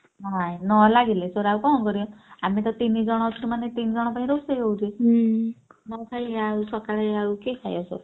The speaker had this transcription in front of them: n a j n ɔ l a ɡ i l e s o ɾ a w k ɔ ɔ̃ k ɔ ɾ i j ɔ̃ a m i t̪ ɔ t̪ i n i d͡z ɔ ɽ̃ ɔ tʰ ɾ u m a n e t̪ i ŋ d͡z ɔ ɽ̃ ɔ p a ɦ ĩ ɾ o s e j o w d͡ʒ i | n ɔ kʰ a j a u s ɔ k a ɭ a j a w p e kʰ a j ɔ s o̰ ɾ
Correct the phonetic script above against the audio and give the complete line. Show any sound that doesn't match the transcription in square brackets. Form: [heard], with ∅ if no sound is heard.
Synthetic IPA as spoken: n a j n ɔ l a ɡ i l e s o ɾ a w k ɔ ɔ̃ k ɔ ɾ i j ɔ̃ a m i t̪ ɔ t̪ i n i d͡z ɔ ɽ̃ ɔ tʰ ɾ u m a n e t̪ i [n] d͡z ɔ ɽ̃ ɔ p a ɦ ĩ ɾ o s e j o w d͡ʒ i | n ɔ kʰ a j a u s ɔ k a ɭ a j a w [k] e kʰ a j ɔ s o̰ ɾ